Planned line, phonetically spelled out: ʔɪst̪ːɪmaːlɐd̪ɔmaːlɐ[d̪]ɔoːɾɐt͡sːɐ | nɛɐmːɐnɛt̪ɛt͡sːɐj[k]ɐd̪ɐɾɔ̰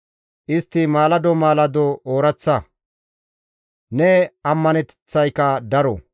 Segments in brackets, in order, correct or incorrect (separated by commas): correct, correct